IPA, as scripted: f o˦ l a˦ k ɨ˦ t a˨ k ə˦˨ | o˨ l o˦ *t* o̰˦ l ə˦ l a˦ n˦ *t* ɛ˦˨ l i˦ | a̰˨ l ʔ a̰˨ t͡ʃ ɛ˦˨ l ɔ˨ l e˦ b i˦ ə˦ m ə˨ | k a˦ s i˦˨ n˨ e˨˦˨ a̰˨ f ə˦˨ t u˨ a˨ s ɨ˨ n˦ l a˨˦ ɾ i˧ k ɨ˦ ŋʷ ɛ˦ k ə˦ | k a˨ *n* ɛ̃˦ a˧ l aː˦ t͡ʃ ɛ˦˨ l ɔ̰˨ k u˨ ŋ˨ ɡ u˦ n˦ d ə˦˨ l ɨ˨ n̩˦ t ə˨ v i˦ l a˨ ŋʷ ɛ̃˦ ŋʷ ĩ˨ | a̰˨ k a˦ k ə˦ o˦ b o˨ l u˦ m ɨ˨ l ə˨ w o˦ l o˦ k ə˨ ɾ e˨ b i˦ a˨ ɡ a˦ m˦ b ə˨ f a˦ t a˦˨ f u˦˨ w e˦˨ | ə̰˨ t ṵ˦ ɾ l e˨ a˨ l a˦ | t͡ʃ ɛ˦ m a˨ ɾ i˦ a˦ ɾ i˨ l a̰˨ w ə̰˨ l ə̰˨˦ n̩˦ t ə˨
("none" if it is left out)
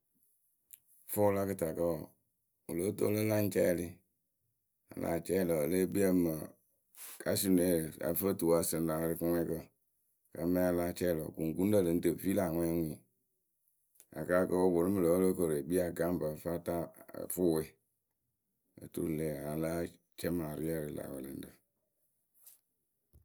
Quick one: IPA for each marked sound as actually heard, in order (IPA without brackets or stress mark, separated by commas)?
t, t͡ʃ, m